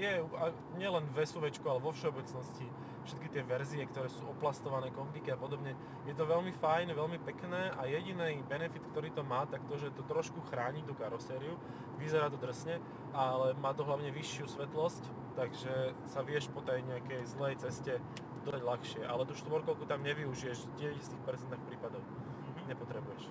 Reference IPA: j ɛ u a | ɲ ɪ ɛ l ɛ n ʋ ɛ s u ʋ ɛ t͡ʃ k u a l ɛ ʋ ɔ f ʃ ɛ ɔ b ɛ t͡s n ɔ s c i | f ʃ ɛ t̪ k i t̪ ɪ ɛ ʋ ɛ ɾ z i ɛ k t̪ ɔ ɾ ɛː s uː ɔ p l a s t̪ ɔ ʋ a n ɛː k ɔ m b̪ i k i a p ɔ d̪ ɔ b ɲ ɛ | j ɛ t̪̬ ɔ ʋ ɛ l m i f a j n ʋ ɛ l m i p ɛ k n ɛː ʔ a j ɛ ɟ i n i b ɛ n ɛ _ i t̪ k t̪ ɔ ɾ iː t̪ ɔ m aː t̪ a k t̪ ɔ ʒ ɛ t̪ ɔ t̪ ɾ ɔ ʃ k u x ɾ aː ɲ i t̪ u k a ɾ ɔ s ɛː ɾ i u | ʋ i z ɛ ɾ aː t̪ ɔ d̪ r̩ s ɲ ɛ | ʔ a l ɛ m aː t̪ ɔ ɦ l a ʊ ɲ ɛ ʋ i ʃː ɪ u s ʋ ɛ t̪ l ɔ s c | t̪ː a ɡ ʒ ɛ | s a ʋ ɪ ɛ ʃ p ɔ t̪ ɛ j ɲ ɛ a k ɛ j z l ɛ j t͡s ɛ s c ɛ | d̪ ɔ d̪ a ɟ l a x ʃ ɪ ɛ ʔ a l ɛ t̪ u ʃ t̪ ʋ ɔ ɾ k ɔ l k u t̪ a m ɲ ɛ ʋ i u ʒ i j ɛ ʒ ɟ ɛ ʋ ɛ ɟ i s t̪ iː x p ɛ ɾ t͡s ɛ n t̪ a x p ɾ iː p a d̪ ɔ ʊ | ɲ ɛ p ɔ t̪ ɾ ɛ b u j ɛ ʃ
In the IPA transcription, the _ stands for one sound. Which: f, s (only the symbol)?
f